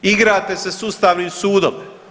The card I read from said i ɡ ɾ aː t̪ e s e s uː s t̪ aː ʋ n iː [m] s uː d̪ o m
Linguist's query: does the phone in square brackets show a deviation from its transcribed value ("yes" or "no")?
no